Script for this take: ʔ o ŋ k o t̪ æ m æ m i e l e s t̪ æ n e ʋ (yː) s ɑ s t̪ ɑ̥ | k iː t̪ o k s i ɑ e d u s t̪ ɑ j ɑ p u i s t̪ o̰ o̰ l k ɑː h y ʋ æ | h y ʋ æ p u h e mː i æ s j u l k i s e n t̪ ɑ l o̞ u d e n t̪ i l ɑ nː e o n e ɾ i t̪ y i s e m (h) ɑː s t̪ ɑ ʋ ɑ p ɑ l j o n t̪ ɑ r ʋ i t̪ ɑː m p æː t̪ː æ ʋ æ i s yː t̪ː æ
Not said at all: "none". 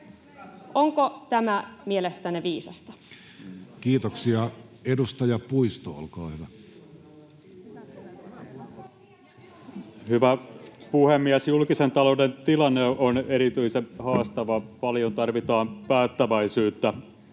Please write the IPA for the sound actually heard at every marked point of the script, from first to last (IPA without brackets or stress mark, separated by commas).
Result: iː, h